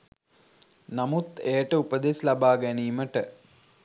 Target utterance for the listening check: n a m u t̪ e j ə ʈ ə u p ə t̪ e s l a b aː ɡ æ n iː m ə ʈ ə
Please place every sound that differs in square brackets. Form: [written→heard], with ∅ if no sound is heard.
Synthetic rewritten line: n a m u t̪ e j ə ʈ ə u p ə [t̪→d̪] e s l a b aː ɡ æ n iː m ə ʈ ə

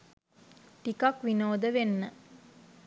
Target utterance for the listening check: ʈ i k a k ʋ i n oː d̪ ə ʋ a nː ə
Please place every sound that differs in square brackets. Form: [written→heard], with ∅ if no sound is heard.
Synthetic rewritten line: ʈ i k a k ʋ i n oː d̪ ə ʋ [a→e] nː ə

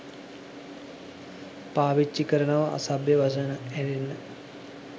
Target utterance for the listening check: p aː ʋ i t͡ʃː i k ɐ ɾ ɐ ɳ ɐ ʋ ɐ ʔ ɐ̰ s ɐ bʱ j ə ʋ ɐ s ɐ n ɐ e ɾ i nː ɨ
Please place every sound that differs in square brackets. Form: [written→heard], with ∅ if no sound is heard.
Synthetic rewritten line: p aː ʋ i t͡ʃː i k ɐ ɾ ɐ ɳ ɐ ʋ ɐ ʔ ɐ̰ s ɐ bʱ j [ə→ɐ] ʋ ɐ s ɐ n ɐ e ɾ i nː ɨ

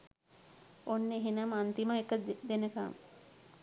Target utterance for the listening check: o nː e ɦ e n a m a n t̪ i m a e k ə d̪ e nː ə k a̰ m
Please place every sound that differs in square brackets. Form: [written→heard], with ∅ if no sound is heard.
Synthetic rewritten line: o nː e ɦ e n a m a n t̪ i m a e k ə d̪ e [nː→n] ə k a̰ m

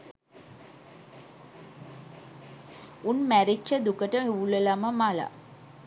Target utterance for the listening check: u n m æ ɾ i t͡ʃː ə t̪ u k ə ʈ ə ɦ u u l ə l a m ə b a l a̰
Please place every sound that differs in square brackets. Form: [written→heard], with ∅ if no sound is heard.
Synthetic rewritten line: u n m æ ɾ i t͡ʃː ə [t̪→d̪] u k ə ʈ ə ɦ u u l ə l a m ə [b→m] a l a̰

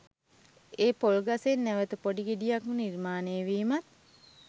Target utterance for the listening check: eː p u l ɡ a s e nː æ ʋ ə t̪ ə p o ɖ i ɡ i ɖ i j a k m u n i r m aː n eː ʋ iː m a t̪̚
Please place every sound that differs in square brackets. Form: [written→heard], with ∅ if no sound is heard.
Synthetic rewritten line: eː p [u→o] l ɡ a s e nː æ ʋ ə t̪ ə p o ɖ i ɡ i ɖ i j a k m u n i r m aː n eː ʋ iː m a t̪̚

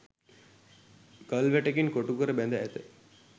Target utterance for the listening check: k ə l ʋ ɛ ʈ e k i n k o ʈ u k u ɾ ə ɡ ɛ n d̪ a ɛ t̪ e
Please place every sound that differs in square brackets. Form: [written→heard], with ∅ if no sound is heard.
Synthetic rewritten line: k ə l ʋ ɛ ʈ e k i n k o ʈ u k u ɾ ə [ɡ→b] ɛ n d̪ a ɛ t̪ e

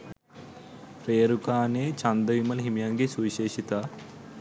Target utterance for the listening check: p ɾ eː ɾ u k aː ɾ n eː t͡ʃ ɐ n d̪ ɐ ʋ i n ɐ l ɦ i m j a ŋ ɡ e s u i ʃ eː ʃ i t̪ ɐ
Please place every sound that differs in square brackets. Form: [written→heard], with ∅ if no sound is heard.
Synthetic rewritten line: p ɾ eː ɾ u k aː [ɾ→∅] n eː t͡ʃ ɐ n d̪ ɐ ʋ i [n→m] ɐ l ɦ i m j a ŋ ɡ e s u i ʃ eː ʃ i t̪ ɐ

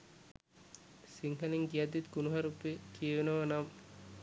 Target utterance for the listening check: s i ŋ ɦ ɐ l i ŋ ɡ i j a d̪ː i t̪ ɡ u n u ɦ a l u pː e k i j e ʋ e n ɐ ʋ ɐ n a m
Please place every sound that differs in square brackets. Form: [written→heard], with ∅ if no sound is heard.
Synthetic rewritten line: s i ŋ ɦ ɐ l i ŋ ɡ i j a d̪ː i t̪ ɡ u n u ɦ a [l→ɾ] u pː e k i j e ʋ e n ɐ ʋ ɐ n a m

